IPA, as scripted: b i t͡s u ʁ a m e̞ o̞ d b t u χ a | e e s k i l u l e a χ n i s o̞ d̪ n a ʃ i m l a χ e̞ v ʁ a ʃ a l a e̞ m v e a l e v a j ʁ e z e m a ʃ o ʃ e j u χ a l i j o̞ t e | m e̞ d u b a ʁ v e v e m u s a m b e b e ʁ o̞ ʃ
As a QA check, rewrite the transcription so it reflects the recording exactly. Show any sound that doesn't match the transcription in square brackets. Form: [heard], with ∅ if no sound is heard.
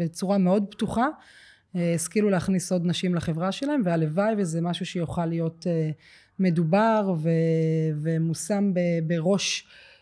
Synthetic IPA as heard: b [e] t͡s u ʁ a m e̞ o̞ d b t u χ a | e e s k i l u l e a χ n i s o̞ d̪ n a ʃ i m l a χ e̞ v ʁ a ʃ [e] l a e̞ m v e a l e v a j [v] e z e m a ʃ [u] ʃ e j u χ a l i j o̞ t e | m e̞ d u b a ʁ v e v e m u s a m b e b e ʁ o̞ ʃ